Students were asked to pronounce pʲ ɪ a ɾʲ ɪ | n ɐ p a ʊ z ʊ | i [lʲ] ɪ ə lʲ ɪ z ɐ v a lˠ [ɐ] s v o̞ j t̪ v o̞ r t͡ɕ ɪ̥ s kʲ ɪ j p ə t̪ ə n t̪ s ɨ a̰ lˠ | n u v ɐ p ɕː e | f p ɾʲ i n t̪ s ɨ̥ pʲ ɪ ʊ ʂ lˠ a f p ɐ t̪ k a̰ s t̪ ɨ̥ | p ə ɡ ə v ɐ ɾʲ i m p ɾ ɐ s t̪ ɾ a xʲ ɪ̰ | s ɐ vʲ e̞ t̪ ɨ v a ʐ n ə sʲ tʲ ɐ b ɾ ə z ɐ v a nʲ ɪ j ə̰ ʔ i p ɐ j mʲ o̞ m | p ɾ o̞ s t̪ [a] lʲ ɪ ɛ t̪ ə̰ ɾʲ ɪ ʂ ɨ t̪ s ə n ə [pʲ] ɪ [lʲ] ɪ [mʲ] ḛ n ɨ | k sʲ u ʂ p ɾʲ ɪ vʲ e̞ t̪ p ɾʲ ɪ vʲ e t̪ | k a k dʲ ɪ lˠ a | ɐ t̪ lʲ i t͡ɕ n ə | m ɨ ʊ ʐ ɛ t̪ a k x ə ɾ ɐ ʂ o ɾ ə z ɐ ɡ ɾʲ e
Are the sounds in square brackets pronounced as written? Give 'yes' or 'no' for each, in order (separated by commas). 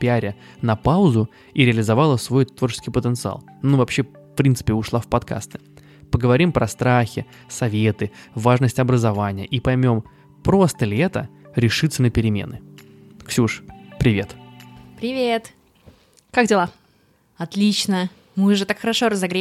no, no, no, yes, no, yes